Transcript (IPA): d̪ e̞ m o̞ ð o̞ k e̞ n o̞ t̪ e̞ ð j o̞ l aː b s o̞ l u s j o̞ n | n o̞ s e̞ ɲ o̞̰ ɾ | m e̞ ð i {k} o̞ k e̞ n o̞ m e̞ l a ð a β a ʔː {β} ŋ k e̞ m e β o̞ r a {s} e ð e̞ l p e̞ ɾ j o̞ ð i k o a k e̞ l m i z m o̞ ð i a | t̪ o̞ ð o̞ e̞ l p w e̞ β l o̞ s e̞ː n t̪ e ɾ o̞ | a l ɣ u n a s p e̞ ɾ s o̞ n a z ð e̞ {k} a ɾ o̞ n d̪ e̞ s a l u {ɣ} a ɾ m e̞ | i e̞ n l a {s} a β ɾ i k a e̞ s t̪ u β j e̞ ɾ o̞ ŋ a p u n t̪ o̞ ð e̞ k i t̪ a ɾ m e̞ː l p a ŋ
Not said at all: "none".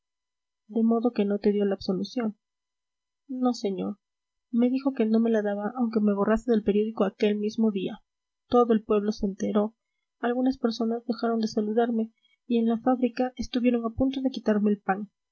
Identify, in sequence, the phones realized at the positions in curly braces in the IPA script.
x, w, s, x, ð, f

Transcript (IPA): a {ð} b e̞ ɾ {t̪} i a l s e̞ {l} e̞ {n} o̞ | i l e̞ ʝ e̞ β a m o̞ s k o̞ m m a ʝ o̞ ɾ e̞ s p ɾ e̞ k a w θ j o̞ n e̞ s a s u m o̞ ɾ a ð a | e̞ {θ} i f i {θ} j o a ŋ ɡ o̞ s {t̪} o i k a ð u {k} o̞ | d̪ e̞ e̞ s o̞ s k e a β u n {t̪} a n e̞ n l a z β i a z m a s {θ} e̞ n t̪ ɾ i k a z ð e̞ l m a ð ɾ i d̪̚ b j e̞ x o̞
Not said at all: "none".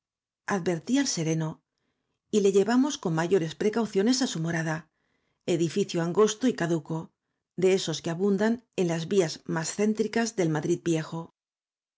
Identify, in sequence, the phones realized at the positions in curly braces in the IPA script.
ð, t̪, ɾ, n, ð, θ, t̪, k, d̪, θ

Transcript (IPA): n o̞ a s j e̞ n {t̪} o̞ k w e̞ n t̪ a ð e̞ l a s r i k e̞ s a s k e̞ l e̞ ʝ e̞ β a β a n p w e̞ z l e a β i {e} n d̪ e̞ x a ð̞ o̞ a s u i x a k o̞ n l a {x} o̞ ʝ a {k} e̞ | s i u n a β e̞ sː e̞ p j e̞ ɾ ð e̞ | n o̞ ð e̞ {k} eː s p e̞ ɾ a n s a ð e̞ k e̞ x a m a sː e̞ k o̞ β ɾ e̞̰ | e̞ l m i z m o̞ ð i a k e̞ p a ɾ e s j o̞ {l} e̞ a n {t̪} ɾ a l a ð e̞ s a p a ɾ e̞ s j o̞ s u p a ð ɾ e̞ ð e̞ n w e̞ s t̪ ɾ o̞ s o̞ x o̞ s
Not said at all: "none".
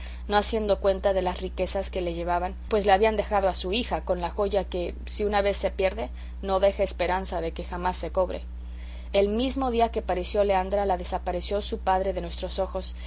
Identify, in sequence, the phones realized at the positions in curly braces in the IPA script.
d̪, a, x, k, x, l, d̪

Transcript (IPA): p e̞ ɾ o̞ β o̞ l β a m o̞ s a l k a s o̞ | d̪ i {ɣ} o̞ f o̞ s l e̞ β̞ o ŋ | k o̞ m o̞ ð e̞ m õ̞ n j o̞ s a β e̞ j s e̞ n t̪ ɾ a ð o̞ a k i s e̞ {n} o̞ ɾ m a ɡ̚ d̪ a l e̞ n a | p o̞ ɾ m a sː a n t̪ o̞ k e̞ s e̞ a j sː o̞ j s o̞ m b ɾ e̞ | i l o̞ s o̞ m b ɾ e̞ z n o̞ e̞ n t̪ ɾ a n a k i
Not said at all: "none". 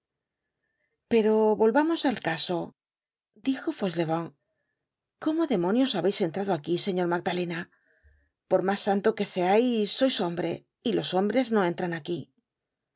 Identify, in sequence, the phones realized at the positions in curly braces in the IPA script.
x, ɲ

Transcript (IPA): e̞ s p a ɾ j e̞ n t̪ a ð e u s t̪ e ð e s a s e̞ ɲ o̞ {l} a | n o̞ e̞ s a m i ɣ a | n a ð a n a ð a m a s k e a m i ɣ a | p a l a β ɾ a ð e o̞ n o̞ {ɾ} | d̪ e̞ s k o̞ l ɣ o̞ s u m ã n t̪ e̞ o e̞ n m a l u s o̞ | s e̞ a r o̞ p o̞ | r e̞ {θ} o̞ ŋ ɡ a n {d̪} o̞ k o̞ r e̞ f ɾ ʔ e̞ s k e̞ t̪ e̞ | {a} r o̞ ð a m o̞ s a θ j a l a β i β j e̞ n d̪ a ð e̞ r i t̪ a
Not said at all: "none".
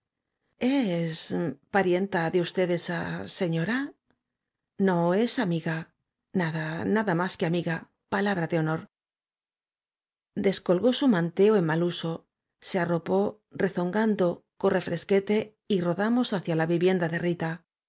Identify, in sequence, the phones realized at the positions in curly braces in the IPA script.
ɾ, ɾ, θ, d̪, i

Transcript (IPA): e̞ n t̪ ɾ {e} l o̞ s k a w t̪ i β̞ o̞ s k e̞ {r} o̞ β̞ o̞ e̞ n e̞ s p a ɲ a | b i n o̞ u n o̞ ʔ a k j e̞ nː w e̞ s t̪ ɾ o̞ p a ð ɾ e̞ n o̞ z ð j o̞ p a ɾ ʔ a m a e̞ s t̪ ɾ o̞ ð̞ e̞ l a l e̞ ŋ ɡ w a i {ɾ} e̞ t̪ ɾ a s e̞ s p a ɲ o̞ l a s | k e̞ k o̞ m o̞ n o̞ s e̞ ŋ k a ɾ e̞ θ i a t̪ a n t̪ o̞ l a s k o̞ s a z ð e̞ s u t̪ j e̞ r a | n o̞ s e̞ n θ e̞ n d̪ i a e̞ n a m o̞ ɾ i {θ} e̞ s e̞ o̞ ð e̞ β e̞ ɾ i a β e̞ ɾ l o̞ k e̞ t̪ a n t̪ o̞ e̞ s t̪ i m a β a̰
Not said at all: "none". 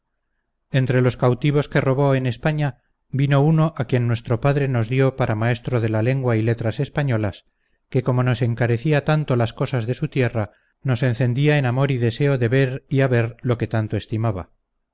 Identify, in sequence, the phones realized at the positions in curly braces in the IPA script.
e, r, l, ð

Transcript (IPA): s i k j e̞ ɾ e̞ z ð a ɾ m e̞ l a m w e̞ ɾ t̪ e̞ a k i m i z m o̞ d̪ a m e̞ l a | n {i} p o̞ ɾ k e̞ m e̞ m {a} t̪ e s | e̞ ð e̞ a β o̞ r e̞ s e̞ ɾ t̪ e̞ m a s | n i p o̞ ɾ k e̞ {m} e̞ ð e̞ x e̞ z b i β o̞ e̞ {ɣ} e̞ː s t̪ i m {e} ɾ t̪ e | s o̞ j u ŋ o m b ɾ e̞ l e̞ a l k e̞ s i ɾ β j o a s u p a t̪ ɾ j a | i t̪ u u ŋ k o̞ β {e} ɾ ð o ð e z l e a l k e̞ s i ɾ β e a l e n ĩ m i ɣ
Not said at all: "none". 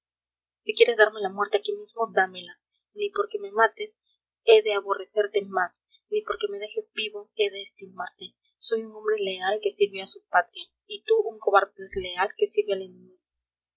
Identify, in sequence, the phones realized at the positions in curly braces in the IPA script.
i, a, m, ð, a, a

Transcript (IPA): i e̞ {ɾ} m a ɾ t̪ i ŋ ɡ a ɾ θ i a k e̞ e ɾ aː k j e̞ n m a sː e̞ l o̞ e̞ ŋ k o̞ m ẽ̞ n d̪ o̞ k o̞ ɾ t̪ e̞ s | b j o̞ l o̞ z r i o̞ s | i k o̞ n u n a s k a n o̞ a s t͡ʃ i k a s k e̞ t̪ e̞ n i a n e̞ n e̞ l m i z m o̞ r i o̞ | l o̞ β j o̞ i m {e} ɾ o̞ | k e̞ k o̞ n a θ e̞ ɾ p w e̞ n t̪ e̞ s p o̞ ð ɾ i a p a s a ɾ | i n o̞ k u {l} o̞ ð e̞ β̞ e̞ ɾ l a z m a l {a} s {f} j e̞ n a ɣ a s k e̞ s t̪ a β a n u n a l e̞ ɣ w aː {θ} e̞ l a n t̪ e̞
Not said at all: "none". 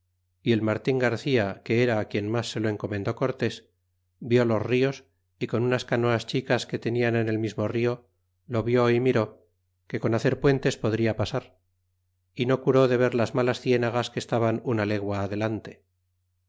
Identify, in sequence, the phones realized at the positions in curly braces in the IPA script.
l, i, ɾ, a, θ, ð

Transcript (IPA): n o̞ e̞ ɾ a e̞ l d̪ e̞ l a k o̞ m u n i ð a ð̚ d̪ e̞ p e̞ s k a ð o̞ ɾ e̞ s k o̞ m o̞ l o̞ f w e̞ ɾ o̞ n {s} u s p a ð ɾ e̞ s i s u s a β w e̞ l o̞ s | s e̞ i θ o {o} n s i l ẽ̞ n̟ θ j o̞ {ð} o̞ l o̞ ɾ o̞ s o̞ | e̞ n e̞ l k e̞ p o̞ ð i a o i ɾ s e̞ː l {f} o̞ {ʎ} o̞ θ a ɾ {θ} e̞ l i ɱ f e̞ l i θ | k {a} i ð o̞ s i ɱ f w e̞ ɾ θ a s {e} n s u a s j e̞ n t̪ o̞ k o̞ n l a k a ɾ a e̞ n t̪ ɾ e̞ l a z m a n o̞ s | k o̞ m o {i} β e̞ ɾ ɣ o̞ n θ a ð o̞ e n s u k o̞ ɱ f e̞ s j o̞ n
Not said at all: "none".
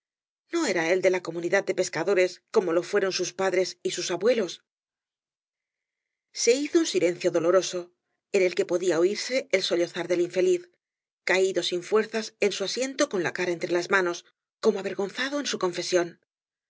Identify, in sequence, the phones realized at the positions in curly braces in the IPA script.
s, u, ð, s, ʎ, ð, a, e, a

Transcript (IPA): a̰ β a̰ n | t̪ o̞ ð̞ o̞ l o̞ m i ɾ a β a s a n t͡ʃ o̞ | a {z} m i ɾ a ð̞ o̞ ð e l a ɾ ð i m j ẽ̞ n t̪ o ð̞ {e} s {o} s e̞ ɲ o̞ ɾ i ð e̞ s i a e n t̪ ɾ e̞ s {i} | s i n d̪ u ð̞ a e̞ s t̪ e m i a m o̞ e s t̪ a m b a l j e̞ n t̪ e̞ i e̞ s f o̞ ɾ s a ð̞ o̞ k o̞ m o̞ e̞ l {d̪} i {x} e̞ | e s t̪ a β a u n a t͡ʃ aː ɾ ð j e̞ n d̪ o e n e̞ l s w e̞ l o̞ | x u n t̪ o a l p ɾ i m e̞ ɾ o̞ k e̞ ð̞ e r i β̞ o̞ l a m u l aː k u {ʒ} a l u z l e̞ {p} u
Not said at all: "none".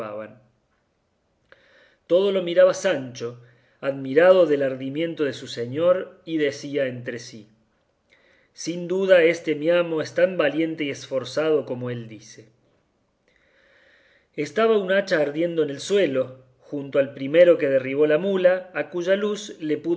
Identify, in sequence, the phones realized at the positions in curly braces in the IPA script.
ð, e, u, i, d̪, s, ʒ, p

